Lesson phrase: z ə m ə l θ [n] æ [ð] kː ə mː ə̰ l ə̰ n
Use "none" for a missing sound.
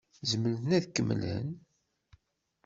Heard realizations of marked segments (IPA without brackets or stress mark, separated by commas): n, ð